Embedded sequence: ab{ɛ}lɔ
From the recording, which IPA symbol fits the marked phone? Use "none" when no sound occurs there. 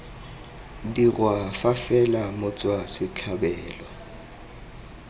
ɛː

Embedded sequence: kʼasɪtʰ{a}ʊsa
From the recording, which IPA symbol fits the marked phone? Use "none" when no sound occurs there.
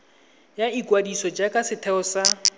ɛ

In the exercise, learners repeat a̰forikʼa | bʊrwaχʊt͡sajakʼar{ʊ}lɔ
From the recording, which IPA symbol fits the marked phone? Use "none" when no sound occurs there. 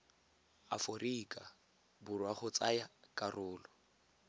ʊː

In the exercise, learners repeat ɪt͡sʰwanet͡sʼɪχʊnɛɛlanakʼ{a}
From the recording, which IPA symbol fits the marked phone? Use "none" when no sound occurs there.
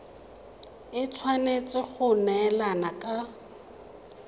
a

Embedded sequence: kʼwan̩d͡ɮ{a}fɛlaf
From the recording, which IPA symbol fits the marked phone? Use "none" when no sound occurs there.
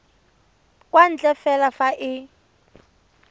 ɛ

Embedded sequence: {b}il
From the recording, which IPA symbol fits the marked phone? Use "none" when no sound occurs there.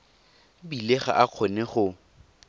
b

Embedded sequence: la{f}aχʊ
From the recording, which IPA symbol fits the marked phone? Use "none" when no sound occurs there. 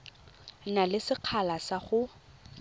s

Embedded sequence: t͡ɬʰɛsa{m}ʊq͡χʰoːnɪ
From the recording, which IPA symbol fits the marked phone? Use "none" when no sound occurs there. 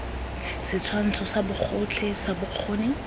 b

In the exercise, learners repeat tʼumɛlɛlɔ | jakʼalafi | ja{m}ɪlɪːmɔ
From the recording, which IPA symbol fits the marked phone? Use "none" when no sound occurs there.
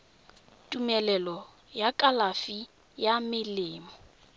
m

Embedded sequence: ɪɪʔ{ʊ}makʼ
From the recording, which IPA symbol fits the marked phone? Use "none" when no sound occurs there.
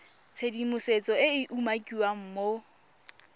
u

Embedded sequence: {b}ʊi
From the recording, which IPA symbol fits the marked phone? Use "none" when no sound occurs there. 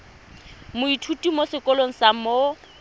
m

